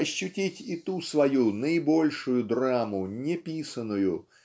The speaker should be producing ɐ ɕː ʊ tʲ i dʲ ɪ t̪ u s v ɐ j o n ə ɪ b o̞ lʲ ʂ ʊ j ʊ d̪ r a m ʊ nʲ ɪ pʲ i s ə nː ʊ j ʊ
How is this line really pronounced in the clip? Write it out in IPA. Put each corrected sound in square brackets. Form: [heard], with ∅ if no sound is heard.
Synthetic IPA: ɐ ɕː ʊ tʲ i [tʲ] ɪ t̪ u s v ɐ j [u] n ə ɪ b o̞ lʲ ʂ ʊ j ʊ d̪ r a m ʊ nʲ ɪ pʲ i s ə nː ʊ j ʊ

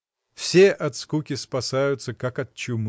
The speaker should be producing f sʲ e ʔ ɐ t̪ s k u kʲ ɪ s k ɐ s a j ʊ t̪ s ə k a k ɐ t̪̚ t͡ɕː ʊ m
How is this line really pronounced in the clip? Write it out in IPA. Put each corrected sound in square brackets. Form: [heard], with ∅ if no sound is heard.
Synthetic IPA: f sʲ e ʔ ɐ t̪ s k u kʲ ɪ s [p] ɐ s a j ʊ t̪ s ə k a k ɐ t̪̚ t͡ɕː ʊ m

